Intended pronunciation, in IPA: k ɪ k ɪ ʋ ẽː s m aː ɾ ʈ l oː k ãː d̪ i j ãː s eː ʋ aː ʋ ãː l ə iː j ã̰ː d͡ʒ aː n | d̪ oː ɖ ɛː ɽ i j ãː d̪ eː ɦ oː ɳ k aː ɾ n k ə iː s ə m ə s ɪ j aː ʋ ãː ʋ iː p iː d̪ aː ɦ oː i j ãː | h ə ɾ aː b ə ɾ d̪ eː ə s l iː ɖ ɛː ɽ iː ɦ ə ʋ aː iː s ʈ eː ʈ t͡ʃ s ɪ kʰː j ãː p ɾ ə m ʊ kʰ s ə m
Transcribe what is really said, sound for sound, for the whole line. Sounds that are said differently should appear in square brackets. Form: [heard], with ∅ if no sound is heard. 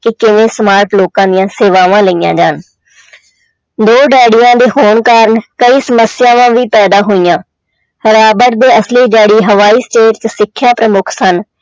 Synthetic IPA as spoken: k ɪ k ɪ ʋ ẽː s m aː ɾ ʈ l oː k ãː d̪ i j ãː s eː ʋ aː ʋ ãː l ə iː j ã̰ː d͡ʒ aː n | d̪ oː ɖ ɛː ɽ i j ãː d̪ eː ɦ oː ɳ k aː ɾ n k ə iː s ə m ə s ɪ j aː ʋ ãː ʋ iː p [ɛː] d̪ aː ɦ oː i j ãː | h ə ɾ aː b ə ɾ d̪ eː ə s l iː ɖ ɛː ɽ iː ɦ ə ʋ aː iː s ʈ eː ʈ t͡ʃ s ɪ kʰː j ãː p ɾ ə m ʊ kʰ s ə [n]